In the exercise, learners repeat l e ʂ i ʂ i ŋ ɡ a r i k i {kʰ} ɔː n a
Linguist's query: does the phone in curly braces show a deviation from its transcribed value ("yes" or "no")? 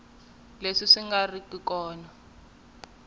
yes